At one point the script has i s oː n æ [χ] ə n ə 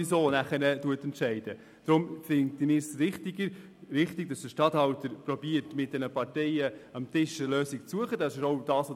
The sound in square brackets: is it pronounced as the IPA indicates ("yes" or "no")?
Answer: yes